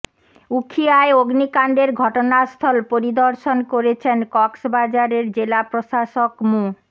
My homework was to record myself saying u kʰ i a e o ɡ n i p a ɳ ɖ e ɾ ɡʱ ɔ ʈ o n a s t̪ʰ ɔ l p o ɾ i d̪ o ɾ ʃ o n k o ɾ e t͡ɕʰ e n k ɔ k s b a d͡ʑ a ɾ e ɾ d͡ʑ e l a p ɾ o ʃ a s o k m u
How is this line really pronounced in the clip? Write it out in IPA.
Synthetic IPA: u kʰ i a e o ɡ n i k a ɳ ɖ e ɾ ɡʱ ɔ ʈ o n a s t̪ʰ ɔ l p o ɾ i d̪ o ɾ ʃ o n k o ɾ e t͡ɕʰ e n k ɔ k s b a d͡ʑ a ɾ e ɾ d͡ʑ e l a p ɾ o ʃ a ʃ o k m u